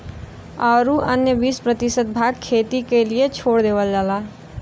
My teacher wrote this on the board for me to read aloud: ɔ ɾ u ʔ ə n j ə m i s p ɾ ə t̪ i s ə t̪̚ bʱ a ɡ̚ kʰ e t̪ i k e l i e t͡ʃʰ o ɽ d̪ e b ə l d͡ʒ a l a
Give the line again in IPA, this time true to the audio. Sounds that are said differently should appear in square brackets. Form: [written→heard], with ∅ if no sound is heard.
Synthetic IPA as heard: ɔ ɾ u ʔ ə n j ə [m→b] i s p ɾ ə t̪ i s ə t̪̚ bʱ a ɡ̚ kʰ e t̪ i k e l i e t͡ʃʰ o ɽ d̪ e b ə l d͡ʒ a l a